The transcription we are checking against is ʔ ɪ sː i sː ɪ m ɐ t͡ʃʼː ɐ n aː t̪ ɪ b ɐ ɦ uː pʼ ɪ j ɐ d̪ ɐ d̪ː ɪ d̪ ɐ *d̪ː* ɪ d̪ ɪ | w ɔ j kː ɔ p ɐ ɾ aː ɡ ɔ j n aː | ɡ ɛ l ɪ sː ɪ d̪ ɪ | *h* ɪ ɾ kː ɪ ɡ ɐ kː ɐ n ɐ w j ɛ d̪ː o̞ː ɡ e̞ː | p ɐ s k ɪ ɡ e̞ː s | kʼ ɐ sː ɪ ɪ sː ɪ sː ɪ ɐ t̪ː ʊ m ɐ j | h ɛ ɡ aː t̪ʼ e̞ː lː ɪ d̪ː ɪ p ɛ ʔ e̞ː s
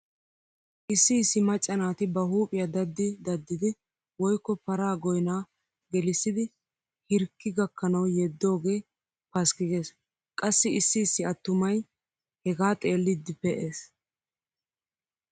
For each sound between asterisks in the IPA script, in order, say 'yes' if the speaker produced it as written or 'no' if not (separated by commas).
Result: yes, yes